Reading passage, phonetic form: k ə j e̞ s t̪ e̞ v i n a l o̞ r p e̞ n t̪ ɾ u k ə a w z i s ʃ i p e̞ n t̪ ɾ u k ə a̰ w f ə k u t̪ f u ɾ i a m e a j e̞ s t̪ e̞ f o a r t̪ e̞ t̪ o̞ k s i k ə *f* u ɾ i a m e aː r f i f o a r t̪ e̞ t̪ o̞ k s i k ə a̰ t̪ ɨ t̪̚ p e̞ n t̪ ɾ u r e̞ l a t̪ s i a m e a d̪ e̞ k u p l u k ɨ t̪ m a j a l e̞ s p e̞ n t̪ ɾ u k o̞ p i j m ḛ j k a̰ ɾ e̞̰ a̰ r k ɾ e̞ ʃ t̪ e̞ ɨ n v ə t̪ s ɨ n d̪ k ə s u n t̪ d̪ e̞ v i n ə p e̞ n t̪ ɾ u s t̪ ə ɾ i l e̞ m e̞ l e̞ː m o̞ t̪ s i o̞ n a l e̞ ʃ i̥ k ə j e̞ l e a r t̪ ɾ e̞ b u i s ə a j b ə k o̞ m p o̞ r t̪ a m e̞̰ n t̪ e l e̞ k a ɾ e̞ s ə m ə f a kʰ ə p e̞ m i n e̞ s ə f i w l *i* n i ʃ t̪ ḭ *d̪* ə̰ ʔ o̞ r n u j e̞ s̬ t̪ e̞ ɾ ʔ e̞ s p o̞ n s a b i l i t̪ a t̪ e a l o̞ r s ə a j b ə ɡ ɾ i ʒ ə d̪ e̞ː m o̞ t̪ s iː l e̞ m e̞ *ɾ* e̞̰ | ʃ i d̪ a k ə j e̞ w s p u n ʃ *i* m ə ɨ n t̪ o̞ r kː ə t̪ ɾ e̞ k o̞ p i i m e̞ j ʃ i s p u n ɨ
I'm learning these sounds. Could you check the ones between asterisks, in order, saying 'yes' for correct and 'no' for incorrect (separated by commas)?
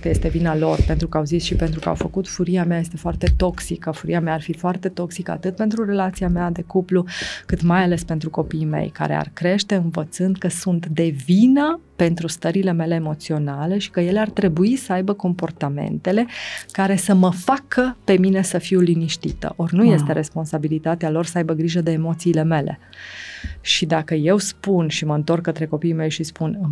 yes, yes, no, no, yes